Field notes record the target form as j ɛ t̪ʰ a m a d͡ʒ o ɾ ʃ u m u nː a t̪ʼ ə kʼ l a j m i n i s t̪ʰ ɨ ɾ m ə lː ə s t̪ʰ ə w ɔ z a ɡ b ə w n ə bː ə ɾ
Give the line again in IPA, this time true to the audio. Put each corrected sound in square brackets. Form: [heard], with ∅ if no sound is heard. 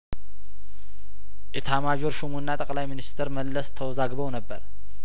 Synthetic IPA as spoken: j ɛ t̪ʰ a m a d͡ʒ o ɾ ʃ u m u nː a t̪ʼ ə kʼ l a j m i n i s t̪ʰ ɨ ɾ m ə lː ə s t̪ʰ ə w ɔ z a ɡ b ə w n ə bː ə ɾ

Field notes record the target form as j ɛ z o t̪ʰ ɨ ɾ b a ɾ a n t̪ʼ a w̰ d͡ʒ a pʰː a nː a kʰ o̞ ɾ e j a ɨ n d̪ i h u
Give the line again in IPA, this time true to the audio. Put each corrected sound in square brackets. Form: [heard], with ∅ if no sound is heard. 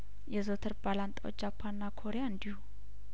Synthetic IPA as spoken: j ɛ z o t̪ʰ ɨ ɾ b a [l] a n t̪ʼ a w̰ d͡ʒ a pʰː a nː a kʰ o̞ ɾ e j a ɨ n d̪ i h u

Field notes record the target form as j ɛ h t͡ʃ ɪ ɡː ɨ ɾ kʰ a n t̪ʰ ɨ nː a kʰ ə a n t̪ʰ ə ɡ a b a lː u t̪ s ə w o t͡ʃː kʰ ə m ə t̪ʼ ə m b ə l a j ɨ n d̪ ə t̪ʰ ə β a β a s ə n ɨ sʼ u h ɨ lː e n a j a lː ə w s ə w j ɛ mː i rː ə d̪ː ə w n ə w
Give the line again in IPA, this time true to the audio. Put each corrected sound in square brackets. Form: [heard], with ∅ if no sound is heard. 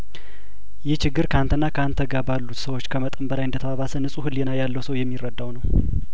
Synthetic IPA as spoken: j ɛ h t͡ʃ ɪ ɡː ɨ ɾ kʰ a n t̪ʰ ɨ nː a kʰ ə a n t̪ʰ ə ɡ a b a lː u t̪ s ə w o t͡ʃː kʰ ə m ə t̪ʼ ə m b ə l a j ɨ n d̪ ə t̪ʰ ə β a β a s ə n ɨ sʼ u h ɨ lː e n a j a lː ə w s ə w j ɛ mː i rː ə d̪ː [a] w n ə w

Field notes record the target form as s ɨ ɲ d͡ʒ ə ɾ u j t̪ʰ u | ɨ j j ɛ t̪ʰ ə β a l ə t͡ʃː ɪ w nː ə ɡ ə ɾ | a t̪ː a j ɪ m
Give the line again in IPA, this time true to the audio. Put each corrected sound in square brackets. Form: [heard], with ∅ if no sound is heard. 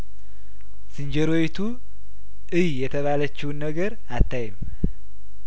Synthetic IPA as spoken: s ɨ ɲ d͡ʒ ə ɾ [o] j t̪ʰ u | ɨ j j ɛ t̪ʰ ə β a l ə t͡ʃː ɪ w nː ə ɡ ə ɾ | a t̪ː a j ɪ m

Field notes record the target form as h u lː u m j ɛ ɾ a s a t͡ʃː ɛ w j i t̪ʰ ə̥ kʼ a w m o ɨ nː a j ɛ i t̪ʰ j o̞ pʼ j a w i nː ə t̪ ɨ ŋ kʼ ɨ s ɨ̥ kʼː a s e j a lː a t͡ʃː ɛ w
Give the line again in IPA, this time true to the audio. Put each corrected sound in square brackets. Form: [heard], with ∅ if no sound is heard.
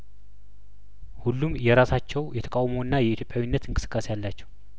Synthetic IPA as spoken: h u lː u m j ɛ ɾ a s a t͡ʃː ɛ w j [ɛ] t̪ʰ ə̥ kʼ a w m o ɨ nː a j ɛ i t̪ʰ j o̞ pʼ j a w i nː ə t̪ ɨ ŋ kʼ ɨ s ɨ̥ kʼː a s e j a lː a t͡ʃː ɛ w

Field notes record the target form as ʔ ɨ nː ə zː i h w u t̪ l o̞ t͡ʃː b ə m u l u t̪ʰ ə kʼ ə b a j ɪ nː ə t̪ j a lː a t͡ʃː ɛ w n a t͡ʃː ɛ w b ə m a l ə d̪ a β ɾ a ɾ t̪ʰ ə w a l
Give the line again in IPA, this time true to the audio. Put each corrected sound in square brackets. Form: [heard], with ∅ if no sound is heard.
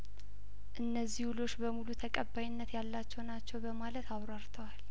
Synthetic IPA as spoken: ʔ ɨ nː ə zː i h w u [∅] l o̞ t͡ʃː b ə m u l u t̪ʰ ə kʼ ə b a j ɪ nː ə t̪ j a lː a t͡ʃː ɛ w n a t͡ʃː ɛ w b ə m a l ə [t̪] a β ɾ a ɾ t̪ʰ ə w a l

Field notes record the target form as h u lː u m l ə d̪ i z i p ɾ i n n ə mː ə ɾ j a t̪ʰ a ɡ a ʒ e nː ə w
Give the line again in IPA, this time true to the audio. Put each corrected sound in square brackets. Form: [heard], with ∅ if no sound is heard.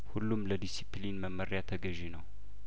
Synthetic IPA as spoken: h u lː u m l ə d̪ i [s] i p [l] i n [m] ə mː ə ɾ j a t̪ʰ [ə] ɡ [ə] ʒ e [n] ə w

